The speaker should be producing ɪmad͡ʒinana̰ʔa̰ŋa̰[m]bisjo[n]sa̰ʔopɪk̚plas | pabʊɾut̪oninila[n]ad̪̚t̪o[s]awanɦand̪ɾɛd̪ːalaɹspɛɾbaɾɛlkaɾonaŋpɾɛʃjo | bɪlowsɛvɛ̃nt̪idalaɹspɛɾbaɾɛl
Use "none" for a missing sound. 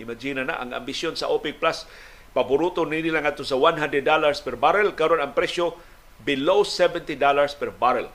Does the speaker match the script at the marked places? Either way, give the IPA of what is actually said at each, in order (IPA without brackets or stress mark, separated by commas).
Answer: m, n, ŋ, s